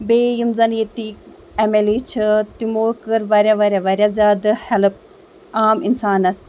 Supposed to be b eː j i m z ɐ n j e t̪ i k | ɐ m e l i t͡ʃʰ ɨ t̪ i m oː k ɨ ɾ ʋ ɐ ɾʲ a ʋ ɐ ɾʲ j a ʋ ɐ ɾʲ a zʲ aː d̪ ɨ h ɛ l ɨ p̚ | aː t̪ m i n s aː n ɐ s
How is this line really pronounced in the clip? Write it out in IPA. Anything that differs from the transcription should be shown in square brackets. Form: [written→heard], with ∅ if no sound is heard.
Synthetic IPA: b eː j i m z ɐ n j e t̪ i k | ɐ m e l i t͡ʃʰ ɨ t̪ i m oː k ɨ ɾ ʋ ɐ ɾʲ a ʋ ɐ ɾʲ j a ʋ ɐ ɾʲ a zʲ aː d̪ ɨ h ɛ l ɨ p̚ | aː [t̪→∅] m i n s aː n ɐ s

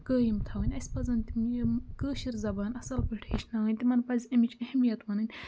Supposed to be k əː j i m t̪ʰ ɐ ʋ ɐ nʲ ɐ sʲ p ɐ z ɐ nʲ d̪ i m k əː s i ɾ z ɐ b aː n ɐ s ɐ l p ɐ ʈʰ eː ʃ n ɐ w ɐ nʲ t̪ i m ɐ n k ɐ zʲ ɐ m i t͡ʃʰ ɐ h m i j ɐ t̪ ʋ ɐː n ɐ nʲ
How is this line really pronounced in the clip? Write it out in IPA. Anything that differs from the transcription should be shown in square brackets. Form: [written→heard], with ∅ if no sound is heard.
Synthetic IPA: k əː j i m t̪ʰ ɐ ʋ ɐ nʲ ɐ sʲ p ɐ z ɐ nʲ [d̪→t̪] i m k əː [s→ʃ] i ɾ z ɐ b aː n ɐ s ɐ l p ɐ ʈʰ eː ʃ n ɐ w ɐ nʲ t̪ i m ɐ n [k→p] ɐ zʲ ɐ m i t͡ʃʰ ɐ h m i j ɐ t̪ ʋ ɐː n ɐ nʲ

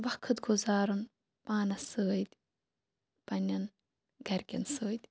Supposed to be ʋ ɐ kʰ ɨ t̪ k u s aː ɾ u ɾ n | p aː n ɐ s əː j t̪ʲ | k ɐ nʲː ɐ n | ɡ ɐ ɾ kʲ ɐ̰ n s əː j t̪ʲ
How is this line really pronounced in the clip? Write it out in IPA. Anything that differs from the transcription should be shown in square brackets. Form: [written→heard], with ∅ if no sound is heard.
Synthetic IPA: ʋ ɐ kʰ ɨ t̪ [k→ɡ] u [s→z] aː ɾ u [ɾ→∅] n | p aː n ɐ s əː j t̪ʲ | [k→p] ɐ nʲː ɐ n | ɡ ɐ ɾ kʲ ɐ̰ n s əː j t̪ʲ

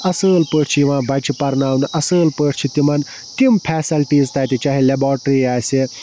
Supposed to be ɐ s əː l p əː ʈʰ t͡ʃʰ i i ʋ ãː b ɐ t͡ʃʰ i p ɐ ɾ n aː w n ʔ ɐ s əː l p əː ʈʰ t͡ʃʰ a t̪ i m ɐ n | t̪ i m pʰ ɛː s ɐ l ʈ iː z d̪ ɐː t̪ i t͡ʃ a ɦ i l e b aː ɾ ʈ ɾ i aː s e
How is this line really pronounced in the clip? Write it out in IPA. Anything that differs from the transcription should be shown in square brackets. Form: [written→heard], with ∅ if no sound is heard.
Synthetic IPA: ɐ s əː l p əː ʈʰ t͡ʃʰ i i ʋ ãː b ɐ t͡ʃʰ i p ɐ ɾ n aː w n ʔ ɐ s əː l p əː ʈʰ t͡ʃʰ [a→i] t̪ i m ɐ n | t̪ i m pʰ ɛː s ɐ l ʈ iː z [d̪→t̪] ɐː t̪ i t͡ʃ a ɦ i l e b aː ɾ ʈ ɾ i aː s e

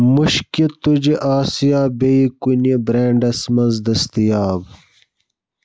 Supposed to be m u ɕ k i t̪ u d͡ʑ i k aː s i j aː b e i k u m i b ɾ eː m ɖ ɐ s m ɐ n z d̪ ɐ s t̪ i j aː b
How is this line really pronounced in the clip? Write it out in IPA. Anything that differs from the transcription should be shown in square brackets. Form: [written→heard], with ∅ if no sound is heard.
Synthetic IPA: m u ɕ k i t̪ u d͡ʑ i [k→ʔ] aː s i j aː b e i k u [m→n] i b ɾ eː [m→ɳ] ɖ ɐ s m ɐ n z d̪ ɐ s t̪ i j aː b

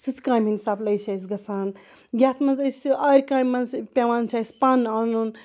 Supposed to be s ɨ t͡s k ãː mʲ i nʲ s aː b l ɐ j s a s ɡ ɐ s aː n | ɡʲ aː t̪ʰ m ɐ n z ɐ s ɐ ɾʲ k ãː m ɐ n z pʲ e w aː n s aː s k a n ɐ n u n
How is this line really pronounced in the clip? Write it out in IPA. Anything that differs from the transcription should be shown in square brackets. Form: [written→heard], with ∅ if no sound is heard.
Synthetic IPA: s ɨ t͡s k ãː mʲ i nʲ s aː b l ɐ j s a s ɡ ɐ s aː n | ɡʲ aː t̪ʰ m ɐ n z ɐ s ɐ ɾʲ k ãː m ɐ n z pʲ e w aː n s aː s [k→p] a n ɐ n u n

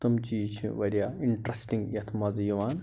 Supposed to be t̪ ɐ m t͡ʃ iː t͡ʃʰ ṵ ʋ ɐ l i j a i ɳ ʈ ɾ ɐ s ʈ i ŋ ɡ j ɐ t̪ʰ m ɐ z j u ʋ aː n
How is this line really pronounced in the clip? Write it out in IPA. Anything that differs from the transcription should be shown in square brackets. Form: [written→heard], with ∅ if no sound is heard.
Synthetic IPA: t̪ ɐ m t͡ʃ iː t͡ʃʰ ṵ ʋ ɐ [l→ɾ] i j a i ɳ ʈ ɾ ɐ s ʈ i ŋ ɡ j ɐ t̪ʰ m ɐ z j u ʋ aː n

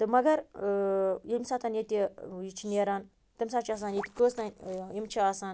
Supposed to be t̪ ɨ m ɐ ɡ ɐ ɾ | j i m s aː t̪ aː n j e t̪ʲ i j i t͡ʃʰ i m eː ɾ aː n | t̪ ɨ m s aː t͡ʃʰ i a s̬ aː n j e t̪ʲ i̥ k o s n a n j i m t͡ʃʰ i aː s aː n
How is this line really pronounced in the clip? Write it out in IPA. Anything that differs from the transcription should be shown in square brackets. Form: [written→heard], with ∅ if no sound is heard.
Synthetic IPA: t̪ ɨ m ɐ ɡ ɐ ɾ | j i m s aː t̪ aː n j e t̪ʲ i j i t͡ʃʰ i [m→n] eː ɾ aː n | t̪ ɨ m s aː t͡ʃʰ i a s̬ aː n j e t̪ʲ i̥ k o s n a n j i m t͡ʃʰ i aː s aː n

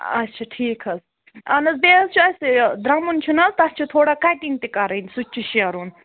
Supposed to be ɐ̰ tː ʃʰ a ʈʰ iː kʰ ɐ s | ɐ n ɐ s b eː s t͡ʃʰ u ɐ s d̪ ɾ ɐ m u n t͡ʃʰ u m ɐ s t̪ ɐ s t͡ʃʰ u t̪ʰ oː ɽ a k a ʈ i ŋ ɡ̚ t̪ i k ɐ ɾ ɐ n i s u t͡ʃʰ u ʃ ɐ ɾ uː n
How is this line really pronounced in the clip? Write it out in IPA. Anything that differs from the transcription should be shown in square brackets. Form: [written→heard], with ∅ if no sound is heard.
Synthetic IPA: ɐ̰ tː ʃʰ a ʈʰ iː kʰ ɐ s | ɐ n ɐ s b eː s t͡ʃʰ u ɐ s d̪ ɾ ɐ m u n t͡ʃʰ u [m→n] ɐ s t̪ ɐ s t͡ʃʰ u t̪ʰ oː ɽ a k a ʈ i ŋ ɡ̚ t̪ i k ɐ ɾ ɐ n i s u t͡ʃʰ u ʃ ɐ ɾ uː n

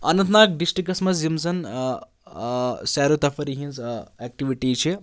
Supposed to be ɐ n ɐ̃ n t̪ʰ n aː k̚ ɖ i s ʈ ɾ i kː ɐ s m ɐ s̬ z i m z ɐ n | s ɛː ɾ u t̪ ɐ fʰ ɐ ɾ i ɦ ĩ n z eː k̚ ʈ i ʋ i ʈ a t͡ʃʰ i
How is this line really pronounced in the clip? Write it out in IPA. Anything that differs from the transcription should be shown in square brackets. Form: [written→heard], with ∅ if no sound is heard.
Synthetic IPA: ɐ n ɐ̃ n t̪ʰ n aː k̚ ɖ i s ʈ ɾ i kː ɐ s m ɐ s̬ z i m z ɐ n | s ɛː ɾ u t̪ ɐ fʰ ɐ ɾ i ɦ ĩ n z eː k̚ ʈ i ʋ i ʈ [a→i] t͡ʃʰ i

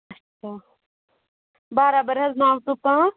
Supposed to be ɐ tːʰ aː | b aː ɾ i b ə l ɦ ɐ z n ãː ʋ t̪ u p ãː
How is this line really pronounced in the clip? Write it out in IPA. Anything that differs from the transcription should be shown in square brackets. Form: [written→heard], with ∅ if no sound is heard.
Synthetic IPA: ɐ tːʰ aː | b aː ɾ [i→a] b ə [l→ɾ] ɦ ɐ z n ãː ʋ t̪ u p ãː

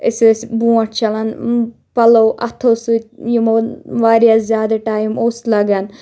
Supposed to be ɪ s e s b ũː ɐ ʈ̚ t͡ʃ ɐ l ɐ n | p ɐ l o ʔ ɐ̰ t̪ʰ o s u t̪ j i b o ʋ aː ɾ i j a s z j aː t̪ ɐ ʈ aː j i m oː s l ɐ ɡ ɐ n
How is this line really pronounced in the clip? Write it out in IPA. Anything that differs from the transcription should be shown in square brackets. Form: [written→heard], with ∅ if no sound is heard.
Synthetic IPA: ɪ s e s b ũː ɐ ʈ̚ t͡ʃ ɐ l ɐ n | p ɐ l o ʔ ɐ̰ t̪ʰ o s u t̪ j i [b→m] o ʋ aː ɾ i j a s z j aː [t̪→d̪] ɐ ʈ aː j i m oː s l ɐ ɡ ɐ n

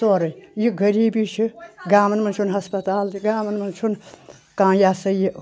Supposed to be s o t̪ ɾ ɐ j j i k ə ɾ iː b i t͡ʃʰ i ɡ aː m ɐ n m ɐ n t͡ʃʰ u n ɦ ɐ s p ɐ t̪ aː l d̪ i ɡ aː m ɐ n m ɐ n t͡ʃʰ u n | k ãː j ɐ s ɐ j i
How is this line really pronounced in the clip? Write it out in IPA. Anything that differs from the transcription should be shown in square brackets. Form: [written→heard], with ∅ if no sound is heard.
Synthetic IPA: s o [t̪→∅] ɾ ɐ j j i [k→ɡ] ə ɾ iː b i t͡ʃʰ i ɡ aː m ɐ n m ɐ n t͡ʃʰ u n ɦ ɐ s p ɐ t̪ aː l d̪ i ɡ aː m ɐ n m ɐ n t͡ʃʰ u n | k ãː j [ɐ→a] s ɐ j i

